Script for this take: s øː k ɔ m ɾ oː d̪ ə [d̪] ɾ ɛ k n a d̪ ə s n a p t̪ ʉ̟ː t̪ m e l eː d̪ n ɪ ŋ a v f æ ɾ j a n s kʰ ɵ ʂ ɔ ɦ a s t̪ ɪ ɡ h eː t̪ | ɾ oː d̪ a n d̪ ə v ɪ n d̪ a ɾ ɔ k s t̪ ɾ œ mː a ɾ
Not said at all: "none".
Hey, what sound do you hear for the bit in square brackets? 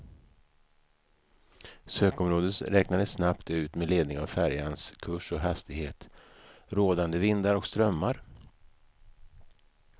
t̪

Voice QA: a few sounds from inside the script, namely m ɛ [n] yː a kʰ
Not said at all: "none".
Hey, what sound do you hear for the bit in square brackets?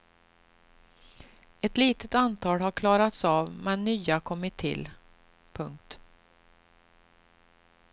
nː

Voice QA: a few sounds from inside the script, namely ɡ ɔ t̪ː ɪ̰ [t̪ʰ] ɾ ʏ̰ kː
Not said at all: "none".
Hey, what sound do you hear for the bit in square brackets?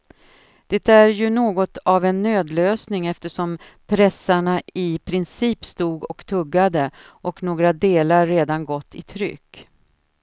t̪ʰ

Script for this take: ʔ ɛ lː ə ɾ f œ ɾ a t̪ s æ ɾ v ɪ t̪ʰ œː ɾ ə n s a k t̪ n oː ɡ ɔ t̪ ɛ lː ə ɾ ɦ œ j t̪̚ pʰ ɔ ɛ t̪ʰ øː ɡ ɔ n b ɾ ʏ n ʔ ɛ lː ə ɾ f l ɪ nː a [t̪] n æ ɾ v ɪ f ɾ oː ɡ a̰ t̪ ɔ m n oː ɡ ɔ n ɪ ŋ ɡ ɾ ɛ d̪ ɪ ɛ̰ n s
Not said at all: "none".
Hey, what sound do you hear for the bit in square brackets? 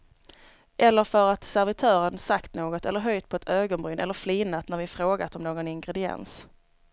t̪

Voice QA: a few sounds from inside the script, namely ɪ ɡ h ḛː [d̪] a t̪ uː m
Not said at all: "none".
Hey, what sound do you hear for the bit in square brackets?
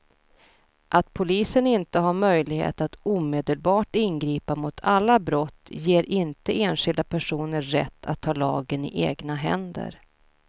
t̪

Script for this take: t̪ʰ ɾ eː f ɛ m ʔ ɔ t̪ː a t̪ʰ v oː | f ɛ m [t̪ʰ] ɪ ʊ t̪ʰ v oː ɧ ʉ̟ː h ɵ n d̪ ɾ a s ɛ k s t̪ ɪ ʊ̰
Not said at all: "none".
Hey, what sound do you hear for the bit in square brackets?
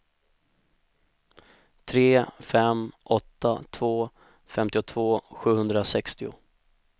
t̪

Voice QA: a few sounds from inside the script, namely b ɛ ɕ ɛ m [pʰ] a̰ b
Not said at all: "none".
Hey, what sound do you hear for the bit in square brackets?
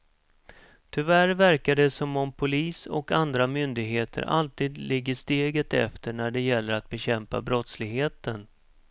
p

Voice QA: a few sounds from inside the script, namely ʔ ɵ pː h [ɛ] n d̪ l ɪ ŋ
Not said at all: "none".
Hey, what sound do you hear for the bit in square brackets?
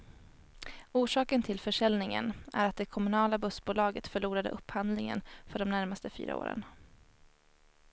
a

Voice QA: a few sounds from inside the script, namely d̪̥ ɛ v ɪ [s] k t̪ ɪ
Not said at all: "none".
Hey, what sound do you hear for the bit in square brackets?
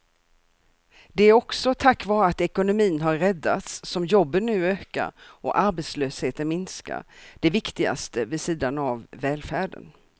none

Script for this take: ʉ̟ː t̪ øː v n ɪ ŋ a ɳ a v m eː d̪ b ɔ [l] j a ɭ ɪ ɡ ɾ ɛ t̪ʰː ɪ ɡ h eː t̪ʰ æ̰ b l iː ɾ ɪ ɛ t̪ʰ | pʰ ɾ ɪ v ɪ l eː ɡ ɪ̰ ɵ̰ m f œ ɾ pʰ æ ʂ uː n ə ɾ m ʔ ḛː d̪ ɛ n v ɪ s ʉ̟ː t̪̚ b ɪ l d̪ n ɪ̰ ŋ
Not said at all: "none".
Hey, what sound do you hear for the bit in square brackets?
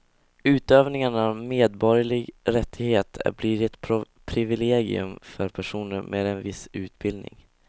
ɾ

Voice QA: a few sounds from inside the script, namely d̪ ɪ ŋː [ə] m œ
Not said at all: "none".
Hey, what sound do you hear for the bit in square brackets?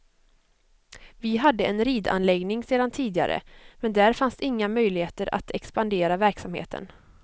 a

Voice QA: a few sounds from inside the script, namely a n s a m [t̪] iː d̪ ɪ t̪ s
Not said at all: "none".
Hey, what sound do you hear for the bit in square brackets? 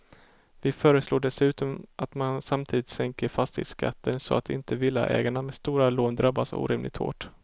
t̪ʰ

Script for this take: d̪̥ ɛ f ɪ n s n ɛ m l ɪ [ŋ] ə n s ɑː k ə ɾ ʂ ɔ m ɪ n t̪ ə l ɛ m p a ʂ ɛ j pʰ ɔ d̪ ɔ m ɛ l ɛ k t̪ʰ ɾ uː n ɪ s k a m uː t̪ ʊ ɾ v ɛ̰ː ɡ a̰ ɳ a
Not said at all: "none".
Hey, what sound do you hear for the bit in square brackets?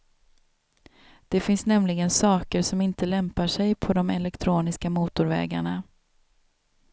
ɡ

